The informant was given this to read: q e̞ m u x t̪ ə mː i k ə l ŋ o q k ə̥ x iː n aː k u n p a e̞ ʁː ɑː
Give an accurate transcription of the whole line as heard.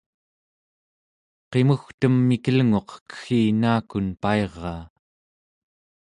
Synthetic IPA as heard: q e̞ m u x t̪ ə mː i k ə l ŋ o q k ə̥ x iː n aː k u n p a e̞ ʁː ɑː